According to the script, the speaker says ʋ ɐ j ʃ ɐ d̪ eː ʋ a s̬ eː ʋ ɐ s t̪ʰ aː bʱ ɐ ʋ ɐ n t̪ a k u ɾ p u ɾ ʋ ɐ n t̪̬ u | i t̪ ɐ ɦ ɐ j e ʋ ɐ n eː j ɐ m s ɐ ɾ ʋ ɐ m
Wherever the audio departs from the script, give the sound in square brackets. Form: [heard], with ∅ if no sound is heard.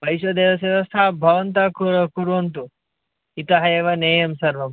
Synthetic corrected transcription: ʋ ɐ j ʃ ɐ d̪ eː ʋ [ɐ] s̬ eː ʋ ɐ s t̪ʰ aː bʱ ɐ ʋ ɐ n t̪ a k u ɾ [k] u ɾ ʋ ɐ n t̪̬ u | i t̪ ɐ ɦ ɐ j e ʋ ɐ n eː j ɐ m s ɐ ɾ ʋ ɐ m